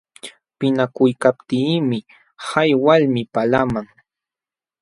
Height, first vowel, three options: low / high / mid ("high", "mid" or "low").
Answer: high